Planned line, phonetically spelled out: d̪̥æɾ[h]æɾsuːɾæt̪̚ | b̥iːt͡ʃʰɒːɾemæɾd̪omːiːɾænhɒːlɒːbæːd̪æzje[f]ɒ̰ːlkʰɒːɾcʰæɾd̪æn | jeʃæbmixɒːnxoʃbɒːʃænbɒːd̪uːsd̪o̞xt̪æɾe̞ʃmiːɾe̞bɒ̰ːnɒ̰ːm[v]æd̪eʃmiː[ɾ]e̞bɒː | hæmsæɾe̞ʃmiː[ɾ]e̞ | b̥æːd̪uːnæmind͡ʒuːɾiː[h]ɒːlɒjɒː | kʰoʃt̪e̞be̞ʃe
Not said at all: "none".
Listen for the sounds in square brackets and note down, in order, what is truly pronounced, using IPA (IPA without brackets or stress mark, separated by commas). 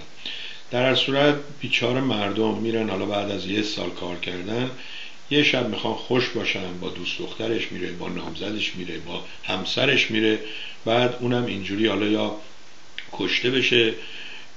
h, s, z, ɾ, ɾ, h